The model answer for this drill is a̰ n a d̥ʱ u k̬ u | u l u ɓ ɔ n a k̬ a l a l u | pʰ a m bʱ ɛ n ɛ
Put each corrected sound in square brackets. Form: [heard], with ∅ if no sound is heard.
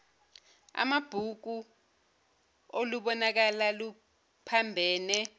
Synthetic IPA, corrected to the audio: a̰ [m] a [b̥ʱ] u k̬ u | [o] l u ɓ ɔ n a k̬ a l a l u | pʰ a m bʱ [ɛː] n ɛ